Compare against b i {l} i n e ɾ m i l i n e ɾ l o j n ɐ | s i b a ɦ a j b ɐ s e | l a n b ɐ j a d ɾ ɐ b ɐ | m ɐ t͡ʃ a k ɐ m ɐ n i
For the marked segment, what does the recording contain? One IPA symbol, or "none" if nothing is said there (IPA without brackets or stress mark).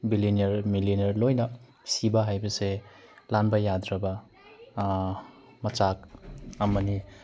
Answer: l